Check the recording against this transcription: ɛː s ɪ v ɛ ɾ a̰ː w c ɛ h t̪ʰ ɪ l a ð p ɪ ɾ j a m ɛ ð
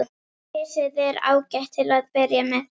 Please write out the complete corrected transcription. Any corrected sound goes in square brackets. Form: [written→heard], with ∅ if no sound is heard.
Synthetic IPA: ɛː s ɪ [v→ð] ɛ ɾ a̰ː w c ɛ h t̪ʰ ɪ l a ð p ɪ ɾ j a m ɛ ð